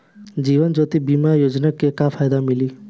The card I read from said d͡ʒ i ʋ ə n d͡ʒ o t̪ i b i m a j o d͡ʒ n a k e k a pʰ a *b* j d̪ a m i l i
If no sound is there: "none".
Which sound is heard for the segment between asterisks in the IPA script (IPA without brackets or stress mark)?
none